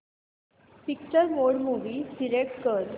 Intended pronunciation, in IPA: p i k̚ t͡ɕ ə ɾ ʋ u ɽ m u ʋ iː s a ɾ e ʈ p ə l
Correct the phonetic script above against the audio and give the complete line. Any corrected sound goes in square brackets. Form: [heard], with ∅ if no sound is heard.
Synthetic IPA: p i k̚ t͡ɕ ə ɾ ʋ [o] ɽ m u ʋ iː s [i] ɾ e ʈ [k] ə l